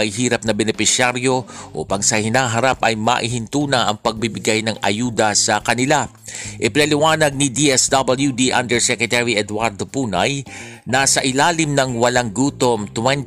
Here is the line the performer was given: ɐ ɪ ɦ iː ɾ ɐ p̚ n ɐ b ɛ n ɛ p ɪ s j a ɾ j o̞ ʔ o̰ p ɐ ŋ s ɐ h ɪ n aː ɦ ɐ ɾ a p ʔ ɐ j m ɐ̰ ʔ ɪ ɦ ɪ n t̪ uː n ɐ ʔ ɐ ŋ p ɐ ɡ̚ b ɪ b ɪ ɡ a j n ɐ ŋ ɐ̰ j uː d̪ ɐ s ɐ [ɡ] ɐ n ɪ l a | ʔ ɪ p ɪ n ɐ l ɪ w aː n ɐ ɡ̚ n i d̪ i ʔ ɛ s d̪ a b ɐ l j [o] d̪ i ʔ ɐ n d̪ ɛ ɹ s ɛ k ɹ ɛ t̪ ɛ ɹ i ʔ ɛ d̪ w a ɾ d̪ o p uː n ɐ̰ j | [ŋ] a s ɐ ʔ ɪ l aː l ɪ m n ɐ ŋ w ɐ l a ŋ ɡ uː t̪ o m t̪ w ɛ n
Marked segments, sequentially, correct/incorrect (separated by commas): incorrect, incorrect, incorrect